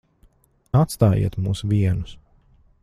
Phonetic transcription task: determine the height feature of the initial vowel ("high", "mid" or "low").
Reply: low